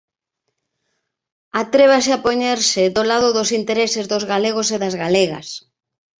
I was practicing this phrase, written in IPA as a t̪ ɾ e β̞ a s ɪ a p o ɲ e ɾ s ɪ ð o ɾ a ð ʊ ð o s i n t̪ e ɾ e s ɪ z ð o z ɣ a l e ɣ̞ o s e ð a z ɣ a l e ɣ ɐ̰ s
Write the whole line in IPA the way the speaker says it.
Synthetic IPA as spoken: a t̪ ɾ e β̞ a s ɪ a p o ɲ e ɾ s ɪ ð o l a ð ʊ ð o s i n t̪ e ɾ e s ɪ z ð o z ɣ a l e ɣ̞ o s e ð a z ɣ a l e ɣ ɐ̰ s